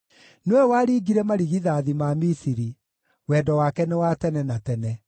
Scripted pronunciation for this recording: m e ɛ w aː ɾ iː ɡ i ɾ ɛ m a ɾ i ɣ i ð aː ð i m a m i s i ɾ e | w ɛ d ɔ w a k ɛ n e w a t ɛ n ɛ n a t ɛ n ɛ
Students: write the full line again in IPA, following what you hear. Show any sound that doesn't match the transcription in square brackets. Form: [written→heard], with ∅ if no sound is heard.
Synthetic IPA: [m→n] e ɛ w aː ɾ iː ɡ i ɾ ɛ m a ɾ i ɣ i ð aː ð i m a m i s i ɾ [e→i] | w ɛ d ɔ w a k ɛ n e w a t ɛ n ɛ n a t ɛ n ɛ